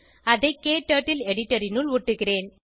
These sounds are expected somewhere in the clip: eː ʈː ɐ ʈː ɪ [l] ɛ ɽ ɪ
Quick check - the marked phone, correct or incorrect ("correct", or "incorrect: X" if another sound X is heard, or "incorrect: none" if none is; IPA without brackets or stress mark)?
correct